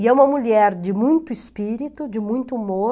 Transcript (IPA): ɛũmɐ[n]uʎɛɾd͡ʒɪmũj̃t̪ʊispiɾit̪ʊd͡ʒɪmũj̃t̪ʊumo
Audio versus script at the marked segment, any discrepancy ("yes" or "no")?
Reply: yes